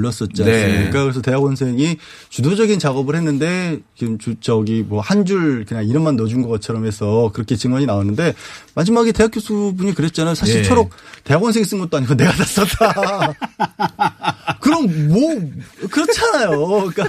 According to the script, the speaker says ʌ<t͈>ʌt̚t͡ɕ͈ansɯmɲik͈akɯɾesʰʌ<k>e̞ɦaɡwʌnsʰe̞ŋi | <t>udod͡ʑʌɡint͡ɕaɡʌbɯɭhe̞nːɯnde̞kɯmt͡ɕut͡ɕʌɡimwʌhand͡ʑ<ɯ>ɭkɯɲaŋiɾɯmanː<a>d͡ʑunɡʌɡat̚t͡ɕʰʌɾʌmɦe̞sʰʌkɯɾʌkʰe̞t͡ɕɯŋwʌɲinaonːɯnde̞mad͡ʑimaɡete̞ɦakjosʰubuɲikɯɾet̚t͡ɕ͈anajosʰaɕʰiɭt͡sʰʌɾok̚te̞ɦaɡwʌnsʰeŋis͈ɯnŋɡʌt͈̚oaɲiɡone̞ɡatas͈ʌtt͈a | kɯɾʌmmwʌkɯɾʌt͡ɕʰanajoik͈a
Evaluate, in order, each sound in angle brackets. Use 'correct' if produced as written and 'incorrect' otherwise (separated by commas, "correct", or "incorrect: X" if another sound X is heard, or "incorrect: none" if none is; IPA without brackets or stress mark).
incorrect: s͈, incorrect: t, incorrect: t͡ɕ, incorrect: u, incorrect: ʌ